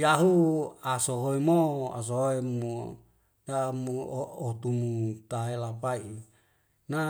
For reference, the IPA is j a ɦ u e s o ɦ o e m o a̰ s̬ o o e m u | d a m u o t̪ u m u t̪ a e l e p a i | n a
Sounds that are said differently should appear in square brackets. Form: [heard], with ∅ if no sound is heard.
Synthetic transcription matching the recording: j a ɦ u [a] s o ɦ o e m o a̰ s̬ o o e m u | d a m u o t̪ u m u t̪ a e l [a] p a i | n a